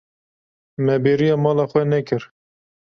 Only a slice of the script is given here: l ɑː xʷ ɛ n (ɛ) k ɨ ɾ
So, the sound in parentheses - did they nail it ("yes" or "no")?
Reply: yes